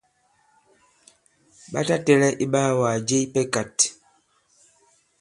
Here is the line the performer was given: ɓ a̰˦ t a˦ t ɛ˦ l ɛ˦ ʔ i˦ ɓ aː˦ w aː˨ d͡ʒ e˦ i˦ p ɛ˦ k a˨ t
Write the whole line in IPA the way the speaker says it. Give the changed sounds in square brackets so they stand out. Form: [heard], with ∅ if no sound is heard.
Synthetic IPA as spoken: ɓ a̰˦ t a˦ t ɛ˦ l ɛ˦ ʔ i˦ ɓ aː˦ w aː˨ d͡ʒ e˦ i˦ p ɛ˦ k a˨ t